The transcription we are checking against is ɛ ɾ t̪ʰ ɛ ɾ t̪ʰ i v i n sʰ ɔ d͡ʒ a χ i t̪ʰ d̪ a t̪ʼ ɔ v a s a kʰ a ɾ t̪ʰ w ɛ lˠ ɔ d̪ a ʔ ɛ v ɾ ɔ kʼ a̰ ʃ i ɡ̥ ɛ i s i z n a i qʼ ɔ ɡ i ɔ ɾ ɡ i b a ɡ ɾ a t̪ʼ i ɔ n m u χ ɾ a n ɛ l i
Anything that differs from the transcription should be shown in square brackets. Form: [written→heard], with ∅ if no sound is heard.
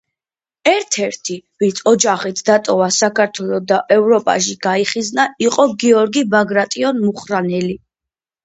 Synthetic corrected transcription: ɛ ɾ t̪ʰ ɛ ɾ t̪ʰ i v i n sʰ ɔ d͡ʒ a χ i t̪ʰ d̪ a t̪ʼ ɔ v a s a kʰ a ɾ t̪ʰ w ɛ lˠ ɔ d̪ a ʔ ɛ v ɾ ɔ [kʼ→pʼ] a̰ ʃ i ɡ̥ [ɛ→a] i [s→χ] i z n a i qʼ ɔ ɡ i ɔ ɾ ɡ i b a ɡ ɾ a t̪ʼ i ɔ n m u χ ɾ a n ɛ l i